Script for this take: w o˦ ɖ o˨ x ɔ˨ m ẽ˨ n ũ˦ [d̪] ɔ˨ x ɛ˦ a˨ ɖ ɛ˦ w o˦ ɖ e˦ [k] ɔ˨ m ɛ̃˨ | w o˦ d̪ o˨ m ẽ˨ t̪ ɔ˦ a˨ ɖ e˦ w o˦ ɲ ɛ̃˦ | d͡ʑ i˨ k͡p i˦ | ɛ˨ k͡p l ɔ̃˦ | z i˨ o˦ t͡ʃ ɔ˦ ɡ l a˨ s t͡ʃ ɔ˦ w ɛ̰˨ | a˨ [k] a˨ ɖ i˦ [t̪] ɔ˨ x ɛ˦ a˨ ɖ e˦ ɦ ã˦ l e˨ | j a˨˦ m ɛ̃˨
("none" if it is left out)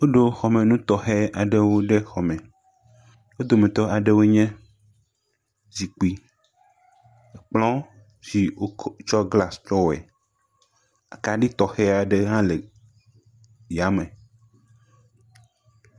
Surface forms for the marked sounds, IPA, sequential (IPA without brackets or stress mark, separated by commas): t̪, x, k, t̪